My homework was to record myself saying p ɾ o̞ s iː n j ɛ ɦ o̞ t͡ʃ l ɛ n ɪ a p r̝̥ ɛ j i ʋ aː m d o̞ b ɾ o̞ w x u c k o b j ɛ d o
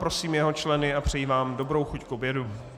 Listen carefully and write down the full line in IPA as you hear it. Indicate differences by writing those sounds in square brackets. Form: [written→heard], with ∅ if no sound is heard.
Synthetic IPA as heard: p ɾ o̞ s iː [n→m] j ɛ ɦ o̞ t͡ʃ l ɛ n ɪ a p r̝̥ ɛ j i [ʋ→v] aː m d o̞ b ɾ o̞ w x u c k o b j ɛ d [o→u]